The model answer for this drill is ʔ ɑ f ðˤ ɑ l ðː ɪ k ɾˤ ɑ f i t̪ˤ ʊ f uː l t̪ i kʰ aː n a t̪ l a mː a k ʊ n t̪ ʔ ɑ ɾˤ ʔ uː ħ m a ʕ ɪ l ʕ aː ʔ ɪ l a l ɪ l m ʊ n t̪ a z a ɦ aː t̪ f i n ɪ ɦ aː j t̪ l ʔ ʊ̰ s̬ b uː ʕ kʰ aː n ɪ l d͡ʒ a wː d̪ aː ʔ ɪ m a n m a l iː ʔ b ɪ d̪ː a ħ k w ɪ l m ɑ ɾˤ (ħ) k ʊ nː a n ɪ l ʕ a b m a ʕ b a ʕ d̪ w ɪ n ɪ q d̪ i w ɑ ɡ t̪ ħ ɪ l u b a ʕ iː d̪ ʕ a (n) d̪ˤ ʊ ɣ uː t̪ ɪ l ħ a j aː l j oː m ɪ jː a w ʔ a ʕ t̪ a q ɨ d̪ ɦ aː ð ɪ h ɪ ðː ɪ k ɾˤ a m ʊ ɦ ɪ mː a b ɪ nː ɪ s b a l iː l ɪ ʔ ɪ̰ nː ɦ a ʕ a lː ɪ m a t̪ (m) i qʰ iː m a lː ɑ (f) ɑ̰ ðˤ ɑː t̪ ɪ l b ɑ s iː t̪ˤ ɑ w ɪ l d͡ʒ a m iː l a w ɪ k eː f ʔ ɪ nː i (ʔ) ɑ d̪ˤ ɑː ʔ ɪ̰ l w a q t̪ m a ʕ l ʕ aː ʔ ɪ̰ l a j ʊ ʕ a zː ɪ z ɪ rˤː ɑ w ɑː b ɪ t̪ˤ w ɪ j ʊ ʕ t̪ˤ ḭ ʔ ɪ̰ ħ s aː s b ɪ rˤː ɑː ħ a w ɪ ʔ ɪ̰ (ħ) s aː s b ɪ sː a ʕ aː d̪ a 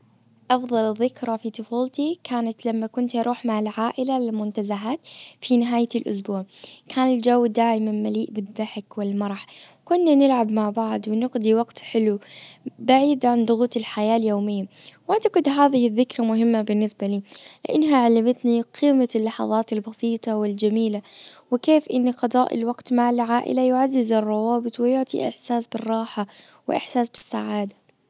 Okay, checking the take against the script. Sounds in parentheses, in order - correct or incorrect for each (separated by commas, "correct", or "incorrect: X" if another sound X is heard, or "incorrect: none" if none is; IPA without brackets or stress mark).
correct, correct, incorrect: n, incorrect: ħ, incorrect: q, correct